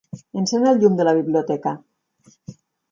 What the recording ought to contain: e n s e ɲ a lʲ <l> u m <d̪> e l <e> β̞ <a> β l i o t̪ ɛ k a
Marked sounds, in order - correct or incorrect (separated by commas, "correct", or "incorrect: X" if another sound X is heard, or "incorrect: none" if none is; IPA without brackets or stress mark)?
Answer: incorrect: ʎ, correct, incorrect: a, incorrect: i